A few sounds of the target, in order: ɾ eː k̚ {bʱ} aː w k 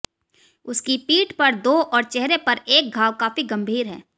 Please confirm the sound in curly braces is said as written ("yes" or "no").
no